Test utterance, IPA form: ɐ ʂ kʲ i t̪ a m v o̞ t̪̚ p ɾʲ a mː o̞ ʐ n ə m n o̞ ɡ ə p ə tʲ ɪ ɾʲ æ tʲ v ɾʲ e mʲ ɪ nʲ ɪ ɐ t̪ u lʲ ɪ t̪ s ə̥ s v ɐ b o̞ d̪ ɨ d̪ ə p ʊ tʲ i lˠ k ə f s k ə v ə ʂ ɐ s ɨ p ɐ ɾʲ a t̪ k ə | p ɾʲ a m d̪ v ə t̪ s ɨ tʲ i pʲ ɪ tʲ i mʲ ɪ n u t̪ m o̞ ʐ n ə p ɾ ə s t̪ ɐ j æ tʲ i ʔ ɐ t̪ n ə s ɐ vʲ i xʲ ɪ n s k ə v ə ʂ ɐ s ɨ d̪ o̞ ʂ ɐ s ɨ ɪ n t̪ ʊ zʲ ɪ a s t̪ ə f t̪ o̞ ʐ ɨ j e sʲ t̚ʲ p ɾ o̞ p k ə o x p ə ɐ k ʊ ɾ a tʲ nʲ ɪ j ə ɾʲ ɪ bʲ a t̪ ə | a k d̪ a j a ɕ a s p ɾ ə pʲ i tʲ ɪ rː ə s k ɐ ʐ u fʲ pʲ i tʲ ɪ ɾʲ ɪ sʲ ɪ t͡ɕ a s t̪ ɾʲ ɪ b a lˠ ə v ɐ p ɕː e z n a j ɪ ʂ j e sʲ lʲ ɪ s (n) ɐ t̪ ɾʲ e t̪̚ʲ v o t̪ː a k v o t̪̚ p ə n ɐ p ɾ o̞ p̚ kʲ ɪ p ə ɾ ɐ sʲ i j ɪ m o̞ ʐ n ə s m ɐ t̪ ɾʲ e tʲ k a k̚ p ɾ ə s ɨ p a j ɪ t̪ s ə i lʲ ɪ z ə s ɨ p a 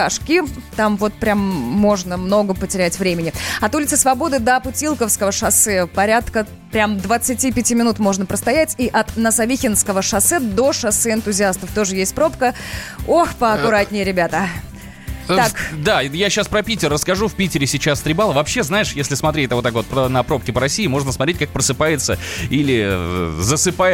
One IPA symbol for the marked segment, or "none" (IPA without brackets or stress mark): m